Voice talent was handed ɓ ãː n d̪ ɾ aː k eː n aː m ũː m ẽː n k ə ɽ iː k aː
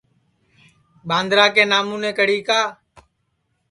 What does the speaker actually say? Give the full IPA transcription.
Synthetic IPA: ɓ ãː n d̪ ɾ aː k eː n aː m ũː n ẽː k ə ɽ iː k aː

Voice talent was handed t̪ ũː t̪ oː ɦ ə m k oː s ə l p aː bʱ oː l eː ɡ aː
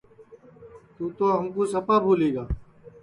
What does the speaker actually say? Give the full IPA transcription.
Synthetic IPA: t̪ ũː t̪ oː ɦ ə m k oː s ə p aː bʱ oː l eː ɡ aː

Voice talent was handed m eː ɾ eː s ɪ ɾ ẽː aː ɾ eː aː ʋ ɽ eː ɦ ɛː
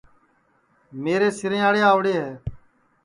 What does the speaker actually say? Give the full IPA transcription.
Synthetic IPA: m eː ɾ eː s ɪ ɾ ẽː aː ɽ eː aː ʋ ɽ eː ɦ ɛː

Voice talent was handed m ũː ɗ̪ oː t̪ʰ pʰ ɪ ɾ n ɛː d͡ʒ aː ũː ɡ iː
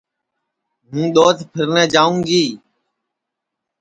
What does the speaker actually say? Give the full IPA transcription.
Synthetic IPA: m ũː ɗ̪ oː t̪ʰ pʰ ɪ ɾ n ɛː d͡ʒ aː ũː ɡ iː

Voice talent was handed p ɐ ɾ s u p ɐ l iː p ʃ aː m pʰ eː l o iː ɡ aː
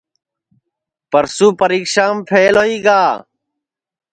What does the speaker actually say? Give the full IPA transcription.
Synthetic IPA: p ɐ ɾ s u p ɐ ɾ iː k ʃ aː m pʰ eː l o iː ɡ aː

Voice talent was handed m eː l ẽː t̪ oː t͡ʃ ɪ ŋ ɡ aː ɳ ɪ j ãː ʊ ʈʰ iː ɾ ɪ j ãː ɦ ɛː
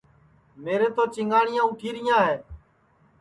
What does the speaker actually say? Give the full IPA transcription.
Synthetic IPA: m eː ɾ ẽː t̪ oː t͡ʃ ɪ ŋ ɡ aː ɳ ɪ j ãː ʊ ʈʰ iː ɾ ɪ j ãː ɦ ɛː

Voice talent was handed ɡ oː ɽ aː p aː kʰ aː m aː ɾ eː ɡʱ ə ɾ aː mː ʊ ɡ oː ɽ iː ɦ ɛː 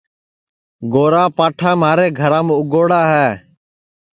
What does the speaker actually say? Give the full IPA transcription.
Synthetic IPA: ɡ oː ɾ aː p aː ʈʰ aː m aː ɾ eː ɡʱ ə ɾ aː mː ʊ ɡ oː ɽ aː ɦ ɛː

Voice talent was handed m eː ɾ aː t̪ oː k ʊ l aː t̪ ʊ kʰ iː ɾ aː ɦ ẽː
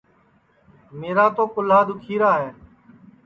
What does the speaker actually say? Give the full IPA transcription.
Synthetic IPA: m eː ɾ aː t̪ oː k ʊ l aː d̪ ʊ kʰ iː ɾ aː ɦ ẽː

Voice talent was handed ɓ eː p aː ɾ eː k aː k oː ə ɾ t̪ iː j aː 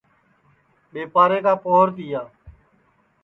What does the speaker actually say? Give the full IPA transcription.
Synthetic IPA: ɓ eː p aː ɾ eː k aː p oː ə ɾ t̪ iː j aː

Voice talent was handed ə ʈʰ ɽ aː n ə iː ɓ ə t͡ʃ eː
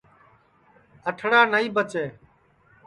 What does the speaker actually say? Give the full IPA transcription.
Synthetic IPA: ə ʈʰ ɽ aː n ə iː b ə t͡ʃ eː

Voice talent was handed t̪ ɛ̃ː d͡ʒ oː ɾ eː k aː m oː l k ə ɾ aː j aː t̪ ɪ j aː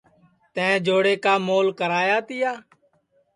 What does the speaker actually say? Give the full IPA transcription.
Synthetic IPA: t̪ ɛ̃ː d͡ʒ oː ɽ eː k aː m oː l k ə ɾ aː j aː t̪ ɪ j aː

